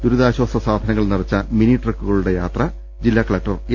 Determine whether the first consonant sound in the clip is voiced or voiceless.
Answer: voiced